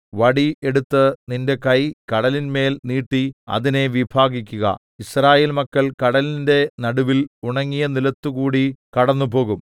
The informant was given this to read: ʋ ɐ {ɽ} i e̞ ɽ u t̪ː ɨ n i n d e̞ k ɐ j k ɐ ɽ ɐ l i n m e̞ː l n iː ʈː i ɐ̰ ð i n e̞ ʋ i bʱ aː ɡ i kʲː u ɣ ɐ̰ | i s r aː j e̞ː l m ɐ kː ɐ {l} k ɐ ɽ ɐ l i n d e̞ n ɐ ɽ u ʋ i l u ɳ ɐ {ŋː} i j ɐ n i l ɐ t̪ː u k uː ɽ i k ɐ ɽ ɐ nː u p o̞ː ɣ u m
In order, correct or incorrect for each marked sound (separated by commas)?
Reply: correct, incorrect, correct